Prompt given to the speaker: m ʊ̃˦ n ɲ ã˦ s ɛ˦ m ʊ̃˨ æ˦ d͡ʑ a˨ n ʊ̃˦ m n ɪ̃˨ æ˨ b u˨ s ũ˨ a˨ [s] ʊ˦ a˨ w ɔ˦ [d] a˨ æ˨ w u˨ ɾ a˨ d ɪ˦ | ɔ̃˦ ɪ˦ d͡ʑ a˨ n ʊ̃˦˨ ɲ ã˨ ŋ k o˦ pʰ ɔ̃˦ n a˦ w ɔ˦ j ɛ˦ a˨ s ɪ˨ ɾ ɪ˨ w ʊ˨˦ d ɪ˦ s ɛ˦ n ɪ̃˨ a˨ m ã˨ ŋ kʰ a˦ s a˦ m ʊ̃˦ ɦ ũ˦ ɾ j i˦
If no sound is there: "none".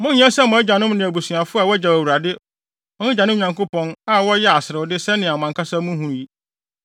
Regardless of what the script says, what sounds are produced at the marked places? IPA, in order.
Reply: f, d͡ʑ

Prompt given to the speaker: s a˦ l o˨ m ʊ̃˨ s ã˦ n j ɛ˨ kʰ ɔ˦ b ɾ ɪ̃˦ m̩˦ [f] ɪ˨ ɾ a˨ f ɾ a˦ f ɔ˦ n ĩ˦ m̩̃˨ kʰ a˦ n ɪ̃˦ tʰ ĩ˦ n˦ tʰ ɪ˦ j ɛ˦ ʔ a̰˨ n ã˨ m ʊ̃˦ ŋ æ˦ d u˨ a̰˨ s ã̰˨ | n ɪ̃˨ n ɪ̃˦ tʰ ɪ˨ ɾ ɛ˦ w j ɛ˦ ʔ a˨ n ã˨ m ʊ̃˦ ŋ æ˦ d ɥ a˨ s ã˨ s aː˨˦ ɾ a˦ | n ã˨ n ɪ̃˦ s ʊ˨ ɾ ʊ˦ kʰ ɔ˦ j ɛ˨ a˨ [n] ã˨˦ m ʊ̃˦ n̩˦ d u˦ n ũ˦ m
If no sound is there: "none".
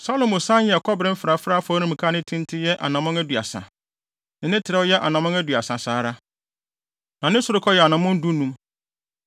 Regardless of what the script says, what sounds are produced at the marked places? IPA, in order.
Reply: f, n

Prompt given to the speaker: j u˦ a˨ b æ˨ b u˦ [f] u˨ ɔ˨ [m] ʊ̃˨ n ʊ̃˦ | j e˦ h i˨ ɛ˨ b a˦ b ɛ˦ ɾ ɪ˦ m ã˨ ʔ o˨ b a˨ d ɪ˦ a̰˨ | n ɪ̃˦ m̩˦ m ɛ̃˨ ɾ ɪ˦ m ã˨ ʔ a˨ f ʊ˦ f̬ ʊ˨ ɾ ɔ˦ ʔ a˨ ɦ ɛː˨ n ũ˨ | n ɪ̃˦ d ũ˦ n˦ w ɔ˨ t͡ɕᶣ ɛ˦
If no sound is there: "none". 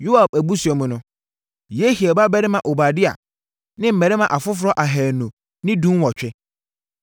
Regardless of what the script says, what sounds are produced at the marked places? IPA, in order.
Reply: s, m

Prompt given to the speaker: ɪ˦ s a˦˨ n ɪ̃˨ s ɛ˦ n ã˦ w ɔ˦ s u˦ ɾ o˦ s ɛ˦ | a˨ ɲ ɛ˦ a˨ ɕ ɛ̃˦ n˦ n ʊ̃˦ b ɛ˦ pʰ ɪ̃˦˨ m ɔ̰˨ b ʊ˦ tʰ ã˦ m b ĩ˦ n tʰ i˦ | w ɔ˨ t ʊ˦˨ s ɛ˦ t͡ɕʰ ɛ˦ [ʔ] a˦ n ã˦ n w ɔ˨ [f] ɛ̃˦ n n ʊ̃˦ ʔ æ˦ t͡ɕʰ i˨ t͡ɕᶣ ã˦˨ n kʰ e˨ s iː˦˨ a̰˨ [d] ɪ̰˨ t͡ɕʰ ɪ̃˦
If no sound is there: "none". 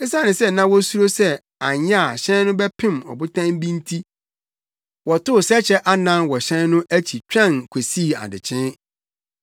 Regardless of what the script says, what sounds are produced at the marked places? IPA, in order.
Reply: ʔ, ɕ, d

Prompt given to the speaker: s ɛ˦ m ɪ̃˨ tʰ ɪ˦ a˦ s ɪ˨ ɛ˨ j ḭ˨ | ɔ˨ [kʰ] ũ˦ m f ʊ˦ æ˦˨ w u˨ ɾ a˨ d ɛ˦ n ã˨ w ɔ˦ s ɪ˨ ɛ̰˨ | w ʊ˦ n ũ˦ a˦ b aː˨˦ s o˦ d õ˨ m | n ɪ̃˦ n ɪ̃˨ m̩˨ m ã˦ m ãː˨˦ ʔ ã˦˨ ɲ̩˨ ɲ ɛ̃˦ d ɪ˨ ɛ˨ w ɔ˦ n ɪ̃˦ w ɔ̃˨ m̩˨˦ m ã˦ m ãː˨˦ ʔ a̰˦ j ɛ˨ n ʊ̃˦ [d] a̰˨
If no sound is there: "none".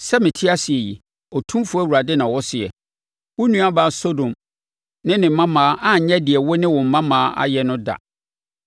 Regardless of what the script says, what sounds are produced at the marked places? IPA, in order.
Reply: tʰ, d

